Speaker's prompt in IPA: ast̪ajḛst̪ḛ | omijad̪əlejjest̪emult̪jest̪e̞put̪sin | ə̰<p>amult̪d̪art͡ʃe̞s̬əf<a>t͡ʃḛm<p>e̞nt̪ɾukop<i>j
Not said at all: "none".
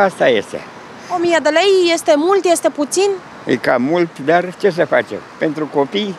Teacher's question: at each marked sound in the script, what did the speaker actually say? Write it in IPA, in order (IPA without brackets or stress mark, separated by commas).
k, a, p, i